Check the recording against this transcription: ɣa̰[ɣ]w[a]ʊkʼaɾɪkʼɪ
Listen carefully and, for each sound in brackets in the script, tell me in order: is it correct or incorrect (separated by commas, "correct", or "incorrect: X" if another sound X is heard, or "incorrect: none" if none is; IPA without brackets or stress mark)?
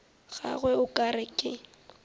correct, incorrect: ɛ